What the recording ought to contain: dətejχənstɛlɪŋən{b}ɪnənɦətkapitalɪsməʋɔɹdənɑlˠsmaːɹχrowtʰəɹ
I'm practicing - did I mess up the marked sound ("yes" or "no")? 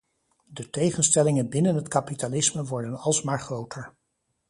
no